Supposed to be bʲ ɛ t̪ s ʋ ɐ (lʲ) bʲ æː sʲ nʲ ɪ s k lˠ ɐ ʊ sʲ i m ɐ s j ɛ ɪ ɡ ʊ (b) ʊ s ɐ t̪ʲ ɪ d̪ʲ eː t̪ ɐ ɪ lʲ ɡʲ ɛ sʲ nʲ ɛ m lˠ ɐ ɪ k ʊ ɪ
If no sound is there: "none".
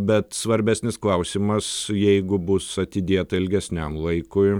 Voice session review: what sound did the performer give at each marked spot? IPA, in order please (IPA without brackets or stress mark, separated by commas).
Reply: ɾʲ, b